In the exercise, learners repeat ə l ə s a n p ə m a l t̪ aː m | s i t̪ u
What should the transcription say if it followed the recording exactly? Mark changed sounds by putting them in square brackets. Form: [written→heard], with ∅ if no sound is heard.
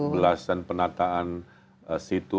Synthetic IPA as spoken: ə l [ə→a] s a n p ə [m→n] a [l→∅] t̪ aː [m→n] | s i t̪ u